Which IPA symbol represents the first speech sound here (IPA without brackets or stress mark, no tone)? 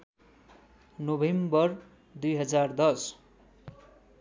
n